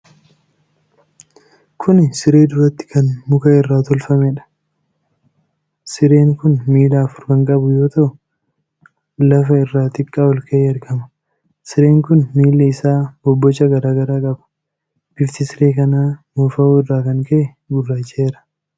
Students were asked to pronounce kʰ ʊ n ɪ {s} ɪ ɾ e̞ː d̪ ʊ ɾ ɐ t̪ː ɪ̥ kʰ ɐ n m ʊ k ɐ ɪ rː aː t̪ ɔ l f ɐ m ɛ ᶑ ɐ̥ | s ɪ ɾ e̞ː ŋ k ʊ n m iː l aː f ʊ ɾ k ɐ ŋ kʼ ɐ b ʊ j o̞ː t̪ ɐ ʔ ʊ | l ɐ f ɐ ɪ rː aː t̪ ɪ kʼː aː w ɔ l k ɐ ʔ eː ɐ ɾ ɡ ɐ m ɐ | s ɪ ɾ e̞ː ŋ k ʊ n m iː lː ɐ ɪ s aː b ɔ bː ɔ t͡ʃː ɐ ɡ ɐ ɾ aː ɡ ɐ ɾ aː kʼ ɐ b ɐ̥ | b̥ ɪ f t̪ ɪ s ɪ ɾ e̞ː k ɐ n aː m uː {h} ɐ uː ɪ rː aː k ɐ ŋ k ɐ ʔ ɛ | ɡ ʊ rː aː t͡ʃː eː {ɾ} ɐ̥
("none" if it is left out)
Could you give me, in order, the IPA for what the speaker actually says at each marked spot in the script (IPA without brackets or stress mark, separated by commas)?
s, f, ɾ